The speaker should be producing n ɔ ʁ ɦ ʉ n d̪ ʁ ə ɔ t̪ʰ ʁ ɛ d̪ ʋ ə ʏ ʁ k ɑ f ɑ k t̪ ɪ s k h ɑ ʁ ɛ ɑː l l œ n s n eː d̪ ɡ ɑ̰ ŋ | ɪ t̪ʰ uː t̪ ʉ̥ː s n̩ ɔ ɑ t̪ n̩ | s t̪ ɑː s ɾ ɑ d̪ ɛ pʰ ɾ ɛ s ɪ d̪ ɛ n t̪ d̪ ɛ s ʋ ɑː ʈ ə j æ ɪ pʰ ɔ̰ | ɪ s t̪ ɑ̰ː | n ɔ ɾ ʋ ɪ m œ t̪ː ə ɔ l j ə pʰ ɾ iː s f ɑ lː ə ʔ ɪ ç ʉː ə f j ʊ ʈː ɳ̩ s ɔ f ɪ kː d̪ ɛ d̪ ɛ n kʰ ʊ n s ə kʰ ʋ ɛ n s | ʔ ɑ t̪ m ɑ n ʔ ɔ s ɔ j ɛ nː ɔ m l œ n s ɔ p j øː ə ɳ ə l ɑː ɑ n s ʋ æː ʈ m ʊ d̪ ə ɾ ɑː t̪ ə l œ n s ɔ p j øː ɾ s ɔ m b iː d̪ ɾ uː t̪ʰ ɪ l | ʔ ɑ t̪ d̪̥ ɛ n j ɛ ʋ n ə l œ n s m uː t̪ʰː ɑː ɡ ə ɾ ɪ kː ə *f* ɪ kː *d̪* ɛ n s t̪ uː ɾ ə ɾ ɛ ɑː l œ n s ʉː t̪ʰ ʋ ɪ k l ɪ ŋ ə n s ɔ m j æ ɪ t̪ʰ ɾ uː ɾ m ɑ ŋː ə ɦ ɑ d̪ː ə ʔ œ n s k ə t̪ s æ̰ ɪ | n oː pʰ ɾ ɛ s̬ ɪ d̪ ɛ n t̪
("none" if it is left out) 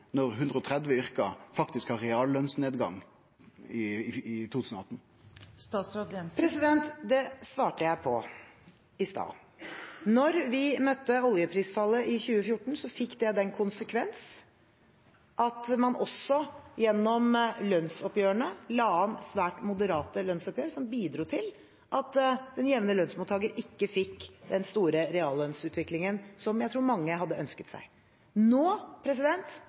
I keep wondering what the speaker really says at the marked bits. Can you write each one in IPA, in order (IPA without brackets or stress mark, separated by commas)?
f, d̪